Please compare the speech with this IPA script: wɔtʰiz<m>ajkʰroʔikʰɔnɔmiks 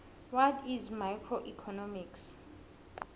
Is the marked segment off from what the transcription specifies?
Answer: no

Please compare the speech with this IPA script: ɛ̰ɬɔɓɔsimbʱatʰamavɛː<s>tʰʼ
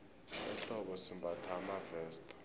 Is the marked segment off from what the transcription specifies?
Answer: no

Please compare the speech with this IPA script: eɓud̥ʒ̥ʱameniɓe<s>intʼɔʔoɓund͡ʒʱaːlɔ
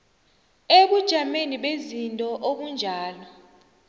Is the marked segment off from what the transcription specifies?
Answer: yes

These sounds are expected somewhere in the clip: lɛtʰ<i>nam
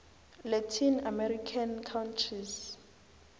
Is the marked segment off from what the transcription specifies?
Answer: no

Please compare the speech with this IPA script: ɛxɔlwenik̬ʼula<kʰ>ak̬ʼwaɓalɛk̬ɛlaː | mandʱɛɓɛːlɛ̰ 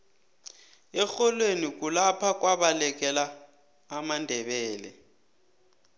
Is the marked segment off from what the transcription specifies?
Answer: yes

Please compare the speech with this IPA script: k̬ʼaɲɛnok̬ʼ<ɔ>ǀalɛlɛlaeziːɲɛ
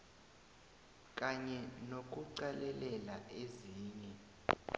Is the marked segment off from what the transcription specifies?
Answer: yes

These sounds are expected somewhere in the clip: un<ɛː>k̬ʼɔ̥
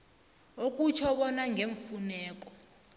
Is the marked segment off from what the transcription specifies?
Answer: no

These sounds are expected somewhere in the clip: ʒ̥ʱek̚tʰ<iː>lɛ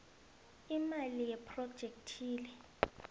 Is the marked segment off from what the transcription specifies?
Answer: no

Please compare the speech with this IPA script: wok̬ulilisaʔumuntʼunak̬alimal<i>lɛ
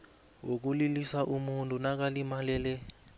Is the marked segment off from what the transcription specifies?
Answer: yes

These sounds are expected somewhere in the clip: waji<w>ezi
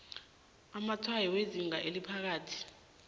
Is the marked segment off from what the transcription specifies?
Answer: no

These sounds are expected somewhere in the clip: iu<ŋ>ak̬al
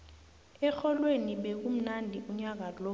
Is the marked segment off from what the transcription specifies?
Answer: yes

